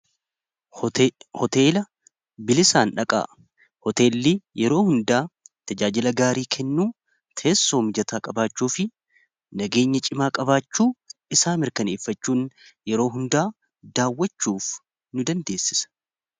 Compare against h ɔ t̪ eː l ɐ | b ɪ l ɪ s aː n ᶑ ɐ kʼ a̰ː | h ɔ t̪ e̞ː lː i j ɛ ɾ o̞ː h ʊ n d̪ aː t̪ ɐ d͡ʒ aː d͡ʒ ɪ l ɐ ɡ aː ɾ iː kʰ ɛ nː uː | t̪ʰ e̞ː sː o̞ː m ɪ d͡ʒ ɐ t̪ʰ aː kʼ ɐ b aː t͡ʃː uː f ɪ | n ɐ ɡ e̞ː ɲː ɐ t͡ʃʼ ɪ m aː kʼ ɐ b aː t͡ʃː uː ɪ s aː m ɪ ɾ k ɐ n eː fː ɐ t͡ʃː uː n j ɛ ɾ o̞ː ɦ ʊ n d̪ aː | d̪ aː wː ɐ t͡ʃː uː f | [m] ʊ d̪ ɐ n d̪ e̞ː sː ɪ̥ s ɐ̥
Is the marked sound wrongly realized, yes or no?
yes